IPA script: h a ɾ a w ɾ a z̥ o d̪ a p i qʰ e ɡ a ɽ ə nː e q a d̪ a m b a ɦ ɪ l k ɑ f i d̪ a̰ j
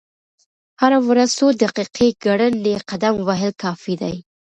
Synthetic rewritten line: h a ɾ a w ɾ a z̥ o d̪ a q i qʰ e ɡ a ɽ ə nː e q a d̪ a m w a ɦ ɪ l k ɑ f i d̪ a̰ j